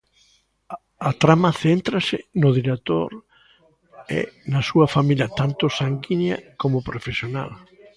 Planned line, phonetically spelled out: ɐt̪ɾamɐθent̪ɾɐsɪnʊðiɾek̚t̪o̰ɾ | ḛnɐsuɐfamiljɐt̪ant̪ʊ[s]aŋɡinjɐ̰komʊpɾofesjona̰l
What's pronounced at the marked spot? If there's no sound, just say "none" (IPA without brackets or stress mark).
s